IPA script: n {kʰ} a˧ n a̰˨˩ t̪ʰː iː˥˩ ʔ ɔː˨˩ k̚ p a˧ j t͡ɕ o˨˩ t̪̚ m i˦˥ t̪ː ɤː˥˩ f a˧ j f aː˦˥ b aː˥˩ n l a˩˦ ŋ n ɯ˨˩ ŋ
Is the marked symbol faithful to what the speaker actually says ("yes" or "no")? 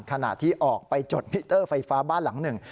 yes